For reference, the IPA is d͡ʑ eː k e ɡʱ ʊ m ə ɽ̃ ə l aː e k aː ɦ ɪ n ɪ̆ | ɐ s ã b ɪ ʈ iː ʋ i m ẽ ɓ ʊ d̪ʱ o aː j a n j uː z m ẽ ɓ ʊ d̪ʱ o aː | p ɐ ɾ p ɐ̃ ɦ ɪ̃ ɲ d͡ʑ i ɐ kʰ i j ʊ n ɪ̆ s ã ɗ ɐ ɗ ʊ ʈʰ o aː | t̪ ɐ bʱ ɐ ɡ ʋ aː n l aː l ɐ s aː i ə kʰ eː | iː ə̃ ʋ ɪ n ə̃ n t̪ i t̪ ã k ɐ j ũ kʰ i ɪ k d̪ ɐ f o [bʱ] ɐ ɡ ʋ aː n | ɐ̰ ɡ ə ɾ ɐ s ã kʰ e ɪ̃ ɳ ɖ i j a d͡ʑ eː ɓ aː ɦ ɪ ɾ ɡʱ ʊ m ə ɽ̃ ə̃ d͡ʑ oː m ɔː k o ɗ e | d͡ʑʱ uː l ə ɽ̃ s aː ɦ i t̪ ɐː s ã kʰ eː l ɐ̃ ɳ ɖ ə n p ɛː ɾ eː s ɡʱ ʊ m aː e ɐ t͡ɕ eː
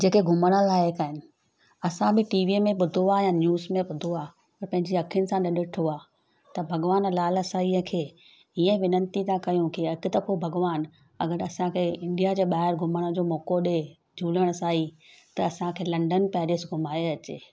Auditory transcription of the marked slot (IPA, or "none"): bʱ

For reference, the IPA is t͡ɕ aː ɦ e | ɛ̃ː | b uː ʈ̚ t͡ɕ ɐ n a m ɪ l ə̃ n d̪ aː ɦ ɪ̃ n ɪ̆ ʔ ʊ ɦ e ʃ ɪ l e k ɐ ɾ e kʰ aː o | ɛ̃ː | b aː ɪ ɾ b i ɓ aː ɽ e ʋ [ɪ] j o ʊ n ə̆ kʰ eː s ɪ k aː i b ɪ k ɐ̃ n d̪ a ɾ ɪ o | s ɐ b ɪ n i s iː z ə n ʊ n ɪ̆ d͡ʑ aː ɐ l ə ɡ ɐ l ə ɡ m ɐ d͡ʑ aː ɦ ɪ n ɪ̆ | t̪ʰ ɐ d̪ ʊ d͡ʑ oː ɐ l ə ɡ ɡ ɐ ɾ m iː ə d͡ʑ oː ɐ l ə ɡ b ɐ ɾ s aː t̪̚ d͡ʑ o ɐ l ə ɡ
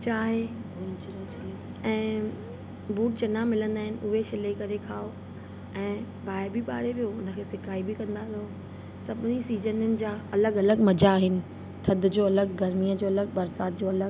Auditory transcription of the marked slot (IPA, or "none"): i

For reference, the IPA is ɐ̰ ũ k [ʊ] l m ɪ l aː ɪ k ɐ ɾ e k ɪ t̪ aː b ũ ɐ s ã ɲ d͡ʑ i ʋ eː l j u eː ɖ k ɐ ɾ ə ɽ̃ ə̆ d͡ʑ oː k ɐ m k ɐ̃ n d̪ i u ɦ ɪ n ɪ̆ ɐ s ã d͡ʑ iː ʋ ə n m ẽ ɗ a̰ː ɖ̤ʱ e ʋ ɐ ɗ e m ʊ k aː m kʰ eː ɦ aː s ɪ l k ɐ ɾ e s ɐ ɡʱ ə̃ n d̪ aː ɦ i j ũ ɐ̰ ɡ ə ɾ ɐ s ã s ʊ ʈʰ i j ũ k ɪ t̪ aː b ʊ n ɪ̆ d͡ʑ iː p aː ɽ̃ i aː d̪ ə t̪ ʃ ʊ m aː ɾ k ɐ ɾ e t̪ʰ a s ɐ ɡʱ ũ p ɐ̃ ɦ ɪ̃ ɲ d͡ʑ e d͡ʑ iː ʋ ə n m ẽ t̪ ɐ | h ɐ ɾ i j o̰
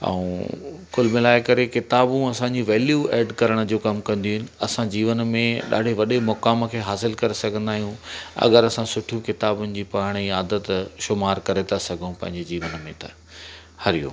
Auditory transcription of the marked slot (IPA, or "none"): ʊ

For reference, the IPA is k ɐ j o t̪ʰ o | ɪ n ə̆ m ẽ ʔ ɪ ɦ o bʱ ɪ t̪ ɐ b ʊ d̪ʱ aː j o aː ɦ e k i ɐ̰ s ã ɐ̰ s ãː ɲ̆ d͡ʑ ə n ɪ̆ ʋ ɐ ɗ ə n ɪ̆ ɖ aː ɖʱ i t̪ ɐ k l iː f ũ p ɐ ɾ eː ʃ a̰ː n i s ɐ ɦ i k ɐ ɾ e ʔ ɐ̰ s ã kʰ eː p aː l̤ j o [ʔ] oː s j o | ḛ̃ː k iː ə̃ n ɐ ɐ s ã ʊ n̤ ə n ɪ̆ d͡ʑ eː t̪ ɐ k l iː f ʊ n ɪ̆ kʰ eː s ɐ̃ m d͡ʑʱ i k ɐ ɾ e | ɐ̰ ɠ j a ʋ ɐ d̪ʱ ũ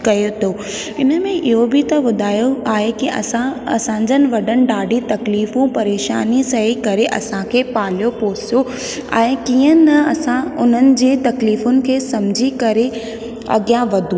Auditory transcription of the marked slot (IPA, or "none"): p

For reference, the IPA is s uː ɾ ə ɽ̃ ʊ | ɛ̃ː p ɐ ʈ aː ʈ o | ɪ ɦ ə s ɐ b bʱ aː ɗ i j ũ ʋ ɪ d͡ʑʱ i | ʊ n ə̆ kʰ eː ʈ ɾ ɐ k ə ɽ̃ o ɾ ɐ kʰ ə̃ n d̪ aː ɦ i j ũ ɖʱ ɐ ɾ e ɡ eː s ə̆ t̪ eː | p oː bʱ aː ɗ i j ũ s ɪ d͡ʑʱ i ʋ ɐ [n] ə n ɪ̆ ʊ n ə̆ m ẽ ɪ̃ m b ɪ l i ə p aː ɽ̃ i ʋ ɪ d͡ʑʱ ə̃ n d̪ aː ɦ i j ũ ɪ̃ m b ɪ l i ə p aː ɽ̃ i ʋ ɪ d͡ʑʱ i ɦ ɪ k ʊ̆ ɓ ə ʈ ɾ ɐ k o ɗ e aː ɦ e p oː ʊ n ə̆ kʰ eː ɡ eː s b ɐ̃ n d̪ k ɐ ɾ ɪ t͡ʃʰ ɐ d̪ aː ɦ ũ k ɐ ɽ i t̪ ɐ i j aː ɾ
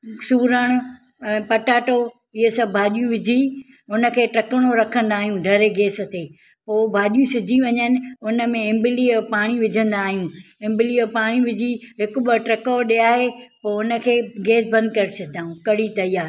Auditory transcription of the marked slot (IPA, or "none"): ɲ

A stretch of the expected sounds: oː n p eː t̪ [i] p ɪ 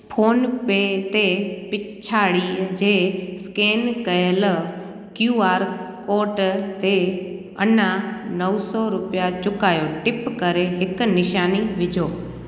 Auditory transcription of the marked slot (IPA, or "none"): e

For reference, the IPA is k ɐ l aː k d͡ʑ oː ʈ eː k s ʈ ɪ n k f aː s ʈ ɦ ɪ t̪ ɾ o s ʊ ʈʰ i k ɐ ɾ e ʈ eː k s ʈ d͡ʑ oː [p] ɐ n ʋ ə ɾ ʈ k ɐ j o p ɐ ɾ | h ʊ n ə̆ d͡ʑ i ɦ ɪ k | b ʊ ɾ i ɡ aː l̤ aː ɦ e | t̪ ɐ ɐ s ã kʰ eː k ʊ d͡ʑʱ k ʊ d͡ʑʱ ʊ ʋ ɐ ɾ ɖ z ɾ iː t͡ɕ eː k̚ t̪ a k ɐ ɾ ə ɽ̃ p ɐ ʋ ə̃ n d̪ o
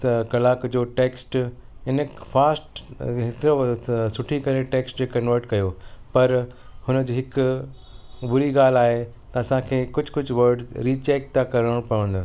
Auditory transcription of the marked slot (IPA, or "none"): k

